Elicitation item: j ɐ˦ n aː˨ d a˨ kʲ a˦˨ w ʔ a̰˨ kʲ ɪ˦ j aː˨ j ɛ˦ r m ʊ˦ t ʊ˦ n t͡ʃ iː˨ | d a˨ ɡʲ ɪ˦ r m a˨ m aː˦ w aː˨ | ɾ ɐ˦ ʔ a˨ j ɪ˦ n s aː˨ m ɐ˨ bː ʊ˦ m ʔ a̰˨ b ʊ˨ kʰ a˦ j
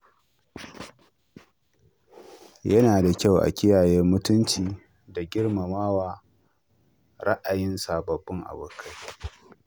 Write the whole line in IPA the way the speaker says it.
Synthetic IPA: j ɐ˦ n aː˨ d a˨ kʲ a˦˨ w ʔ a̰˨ kʲ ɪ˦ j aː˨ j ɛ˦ r m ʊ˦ t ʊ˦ n t͡ʃ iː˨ | d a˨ ɡʲ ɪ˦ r m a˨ m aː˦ w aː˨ | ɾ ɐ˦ ʔ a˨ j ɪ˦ n s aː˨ b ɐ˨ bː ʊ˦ ŋ ʔ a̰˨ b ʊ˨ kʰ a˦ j